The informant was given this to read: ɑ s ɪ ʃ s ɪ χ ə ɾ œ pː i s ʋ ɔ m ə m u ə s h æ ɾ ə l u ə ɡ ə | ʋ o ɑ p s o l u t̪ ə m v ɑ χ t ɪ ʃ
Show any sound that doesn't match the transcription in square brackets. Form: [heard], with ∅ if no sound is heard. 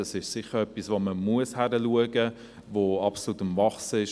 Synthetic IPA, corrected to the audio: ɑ s ɪ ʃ s ɪ χ ə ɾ œ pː i s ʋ [o] m ə m u ə s h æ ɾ ə l u ə ɡ ə | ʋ o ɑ p s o l u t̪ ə m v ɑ χ [s] ɪ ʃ